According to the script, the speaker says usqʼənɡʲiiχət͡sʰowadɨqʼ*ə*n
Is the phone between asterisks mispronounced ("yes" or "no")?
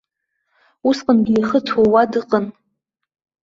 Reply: no